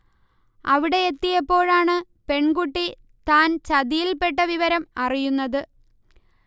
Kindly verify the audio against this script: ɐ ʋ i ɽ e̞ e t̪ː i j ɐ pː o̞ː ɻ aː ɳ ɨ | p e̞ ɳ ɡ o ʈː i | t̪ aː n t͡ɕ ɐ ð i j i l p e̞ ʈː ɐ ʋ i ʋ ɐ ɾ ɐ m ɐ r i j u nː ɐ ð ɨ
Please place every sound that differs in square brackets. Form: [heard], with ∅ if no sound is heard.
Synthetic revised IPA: ɐ ʋ i ɽ e̞ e t̪ː i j ɐ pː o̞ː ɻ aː ɳ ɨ | p e̞ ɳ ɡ [u] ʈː i | t̪ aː n t͡ɕ ɐ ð i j i l p e̞ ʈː ɐ ʋ i ʋ ɐ ɾ ɐ m ɐ r i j u nː ɐ ð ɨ